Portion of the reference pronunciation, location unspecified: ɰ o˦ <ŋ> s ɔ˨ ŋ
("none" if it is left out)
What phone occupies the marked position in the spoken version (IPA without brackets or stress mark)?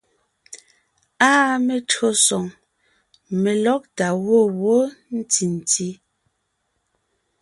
none